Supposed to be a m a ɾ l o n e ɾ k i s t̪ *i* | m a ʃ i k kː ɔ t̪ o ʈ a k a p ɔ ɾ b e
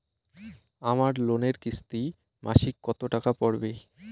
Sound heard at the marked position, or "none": i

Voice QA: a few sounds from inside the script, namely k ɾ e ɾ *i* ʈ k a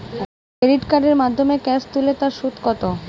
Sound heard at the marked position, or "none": i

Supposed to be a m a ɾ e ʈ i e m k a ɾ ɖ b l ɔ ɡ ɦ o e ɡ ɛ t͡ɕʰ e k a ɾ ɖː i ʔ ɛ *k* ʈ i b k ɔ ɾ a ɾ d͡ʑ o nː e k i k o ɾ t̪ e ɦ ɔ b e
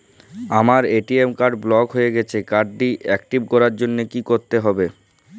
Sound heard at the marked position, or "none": k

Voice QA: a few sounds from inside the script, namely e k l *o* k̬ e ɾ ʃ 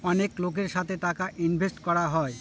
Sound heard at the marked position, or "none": o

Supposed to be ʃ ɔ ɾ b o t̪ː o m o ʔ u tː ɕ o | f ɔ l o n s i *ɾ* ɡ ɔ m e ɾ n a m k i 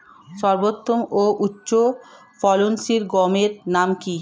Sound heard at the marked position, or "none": ɾ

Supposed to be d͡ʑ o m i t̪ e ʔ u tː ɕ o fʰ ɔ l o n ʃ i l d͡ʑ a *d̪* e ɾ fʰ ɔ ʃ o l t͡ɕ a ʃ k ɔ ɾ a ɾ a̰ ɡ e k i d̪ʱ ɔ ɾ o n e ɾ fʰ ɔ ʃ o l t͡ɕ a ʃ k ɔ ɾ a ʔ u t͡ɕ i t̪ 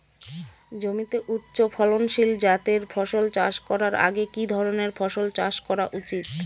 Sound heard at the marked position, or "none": t̪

